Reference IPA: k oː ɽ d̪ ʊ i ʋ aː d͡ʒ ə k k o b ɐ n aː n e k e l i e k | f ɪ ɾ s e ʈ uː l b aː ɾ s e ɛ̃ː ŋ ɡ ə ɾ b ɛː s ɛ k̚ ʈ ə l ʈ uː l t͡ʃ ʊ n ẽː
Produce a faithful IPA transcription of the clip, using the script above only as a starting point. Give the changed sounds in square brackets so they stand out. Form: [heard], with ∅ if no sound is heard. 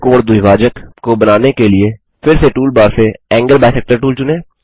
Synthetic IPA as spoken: k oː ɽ d̪ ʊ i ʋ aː d͡ʒ ə k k o b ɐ n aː n e k e l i e [∅] | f ɪ ɾ s e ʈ uː l b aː ɾ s e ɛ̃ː ŋ ɡ ə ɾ b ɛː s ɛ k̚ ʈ ə [ɾ] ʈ uː l t͡ʃ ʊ n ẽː